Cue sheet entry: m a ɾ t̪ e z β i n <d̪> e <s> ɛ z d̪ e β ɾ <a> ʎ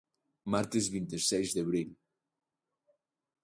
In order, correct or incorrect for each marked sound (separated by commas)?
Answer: incorrect, correct, incorrect